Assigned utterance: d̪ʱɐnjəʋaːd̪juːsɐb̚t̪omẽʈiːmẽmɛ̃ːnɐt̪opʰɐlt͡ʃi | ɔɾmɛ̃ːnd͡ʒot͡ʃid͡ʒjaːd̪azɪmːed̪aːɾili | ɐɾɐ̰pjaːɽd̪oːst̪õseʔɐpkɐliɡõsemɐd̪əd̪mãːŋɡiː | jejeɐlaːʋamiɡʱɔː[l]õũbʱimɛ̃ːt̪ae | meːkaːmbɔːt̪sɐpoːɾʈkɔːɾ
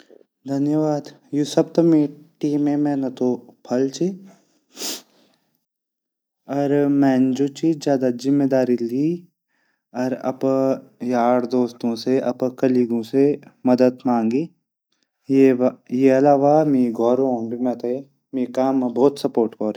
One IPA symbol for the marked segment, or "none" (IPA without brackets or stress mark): ɾ